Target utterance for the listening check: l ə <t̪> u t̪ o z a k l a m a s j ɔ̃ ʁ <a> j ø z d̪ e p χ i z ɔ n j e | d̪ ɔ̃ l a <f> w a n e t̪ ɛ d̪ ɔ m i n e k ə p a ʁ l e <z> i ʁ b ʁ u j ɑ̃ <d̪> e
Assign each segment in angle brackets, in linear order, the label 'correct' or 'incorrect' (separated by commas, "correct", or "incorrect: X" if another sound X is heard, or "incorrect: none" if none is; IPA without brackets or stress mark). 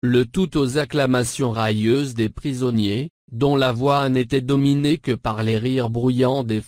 correct, correct, incorrect: v, incorrect: ʁ, correct